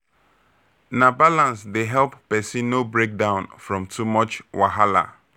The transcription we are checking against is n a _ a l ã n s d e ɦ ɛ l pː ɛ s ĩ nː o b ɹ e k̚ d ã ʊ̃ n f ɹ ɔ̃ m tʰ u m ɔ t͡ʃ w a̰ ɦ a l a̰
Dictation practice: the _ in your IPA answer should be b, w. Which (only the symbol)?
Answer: b